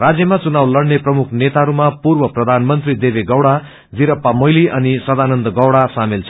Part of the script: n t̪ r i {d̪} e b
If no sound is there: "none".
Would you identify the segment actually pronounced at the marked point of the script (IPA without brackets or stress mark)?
d̪